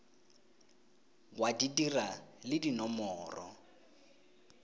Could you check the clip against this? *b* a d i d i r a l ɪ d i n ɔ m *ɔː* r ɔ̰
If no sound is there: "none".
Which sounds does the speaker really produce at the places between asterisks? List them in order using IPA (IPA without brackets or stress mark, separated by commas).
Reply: w, ɔː